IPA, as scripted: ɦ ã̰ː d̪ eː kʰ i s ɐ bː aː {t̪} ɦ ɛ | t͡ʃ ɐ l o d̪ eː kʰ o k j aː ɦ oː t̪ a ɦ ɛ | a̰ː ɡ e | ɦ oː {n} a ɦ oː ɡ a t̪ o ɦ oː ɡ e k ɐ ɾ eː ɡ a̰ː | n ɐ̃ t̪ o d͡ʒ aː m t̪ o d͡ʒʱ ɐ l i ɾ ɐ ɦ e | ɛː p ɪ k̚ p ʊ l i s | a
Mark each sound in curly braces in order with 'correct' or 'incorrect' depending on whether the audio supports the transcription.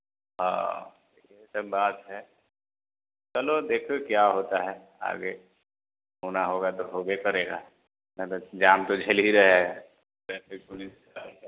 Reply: correct, correct

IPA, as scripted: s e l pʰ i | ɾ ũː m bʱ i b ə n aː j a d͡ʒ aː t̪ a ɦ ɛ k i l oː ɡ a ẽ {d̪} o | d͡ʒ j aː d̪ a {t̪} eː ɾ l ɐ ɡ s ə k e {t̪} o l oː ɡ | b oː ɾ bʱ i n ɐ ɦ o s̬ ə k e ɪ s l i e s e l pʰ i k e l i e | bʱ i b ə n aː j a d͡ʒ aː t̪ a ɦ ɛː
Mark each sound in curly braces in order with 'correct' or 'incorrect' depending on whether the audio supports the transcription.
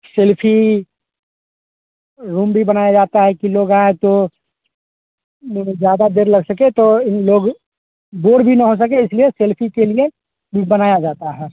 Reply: incorrect, incorrect, correct

